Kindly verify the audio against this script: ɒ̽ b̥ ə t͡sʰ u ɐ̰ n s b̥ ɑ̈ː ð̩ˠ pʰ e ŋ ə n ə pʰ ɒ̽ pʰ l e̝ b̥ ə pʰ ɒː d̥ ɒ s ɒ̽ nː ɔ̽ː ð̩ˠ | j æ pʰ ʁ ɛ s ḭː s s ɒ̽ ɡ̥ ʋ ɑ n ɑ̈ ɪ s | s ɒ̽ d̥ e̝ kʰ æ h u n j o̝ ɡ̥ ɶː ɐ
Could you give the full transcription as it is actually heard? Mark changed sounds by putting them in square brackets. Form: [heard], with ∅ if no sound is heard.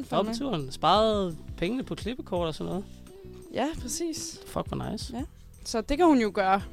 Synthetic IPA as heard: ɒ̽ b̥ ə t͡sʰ u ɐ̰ n s b̥ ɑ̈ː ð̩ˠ pʰ e ŋ ə n ə pʰ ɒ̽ [kʰ] l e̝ b̥ ə [kʰ] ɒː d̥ ɒ s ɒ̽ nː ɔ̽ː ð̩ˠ | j æ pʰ ʁ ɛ s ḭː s [f] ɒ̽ ɡ̥ ʋ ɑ n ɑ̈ ɪ s | s ɒ̽ d̥ e̝ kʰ æ h u n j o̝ ɡ̥ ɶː ɐ